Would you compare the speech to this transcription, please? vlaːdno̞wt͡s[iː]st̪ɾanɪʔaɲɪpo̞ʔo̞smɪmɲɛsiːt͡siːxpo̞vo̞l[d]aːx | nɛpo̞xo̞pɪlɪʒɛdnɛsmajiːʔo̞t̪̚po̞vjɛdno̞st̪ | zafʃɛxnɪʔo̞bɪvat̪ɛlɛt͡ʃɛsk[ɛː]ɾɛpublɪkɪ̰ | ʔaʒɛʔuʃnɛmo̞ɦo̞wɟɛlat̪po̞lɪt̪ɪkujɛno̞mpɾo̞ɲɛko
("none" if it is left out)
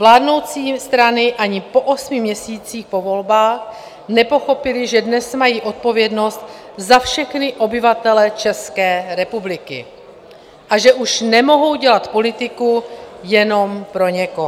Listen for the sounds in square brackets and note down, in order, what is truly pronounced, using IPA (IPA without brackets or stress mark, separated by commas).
iː, b, ɛː